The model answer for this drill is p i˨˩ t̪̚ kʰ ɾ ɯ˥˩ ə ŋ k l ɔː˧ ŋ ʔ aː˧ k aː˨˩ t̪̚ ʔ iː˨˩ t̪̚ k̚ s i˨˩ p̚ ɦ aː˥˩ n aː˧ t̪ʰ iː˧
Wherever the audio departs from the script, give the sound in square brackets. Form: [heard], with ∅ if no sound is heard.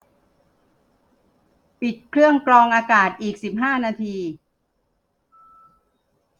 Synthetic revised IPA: p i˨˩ t̪̚ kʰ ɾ ɯ˥˩ ə ŋ k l ɔː˧ ŋ ʔ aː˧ k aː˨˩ t̪̚ ʔ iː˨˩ [∅] k̚ s i˨˩ p̚ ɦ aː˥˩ n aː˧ t̪ʰ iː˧